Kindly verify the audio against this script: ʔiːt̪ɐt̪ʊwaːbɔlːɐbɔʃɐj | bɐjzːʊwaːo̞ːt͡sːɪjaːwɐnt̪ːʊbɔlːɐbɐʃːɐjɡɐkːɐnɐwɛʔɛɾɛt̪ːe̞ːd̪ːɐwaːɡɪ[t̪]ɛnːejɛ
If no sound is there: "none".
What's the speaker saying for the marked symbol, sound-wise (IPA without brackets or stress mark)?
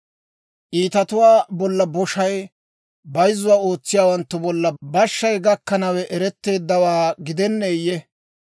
d̪